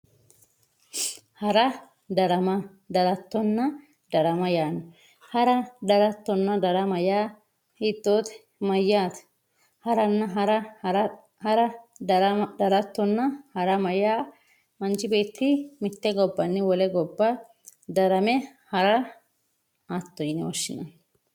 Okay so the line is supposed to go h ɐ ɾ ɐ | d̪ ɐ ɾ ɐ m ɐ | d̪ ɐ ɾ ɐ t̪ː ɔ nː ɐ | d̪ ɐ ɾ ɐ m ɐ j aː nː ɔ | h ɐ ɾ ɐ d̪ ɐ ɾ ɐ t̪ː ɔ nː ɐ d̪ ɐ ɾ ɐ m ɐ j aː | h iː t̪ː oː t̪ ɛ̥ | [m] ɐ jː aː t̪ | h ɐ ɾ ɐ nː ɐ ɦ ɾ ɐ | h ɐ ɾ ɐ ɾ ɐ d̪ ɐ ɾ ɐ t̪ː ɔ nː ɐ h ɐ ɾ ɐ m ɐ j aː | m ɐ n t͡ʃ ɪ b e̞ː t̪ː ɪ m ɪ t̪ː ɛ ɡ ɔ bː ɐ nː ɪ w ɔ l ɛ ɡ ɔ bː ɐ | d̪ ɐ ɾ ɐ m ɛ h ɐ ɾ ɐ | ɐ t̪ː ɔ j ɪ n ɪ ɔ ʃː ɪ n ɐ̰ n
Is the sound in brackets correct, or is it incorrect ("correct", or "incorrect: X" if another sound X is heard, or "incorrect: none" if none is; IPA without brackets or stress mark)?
correct